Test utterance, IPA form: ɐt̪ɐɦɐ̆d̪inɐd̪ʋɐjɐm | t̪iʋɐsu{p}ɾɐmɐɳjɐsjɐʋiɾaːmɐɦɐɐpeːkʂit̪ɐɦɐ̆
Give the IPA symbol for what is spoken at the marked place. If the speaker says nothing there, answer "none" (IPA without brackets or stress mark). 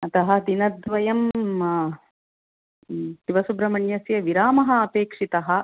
b